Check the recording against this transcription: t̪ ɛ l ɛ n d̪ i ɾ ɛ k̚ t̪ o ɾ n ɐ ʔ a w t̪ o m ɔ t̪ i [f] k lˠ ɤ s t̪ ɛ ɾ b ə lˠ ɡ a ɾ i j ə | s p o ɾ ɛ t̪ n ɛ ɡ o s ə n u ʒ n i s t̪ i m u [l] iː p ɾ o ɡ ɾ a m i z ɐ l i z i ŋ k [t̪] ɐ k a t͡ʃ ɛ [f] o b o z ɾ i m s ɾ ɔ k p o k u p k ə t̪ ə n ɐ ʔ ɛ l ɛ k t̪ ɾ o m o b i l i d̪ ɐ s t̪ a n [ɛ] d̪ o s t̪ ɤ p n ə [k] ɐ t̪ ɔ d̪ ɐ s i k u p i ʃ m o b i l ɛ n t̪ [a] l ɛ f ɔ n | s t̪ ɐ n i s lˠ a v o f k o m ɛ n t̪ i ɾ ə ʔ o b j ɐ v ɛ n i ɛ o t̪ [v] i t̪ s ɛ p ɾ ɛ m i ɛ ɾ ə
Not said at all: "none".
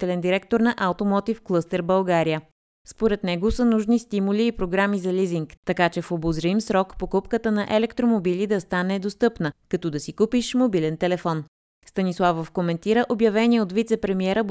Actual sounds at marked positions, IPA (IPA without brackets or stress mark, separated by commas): f, l, t̪, f, ɛ, k, ɛ, v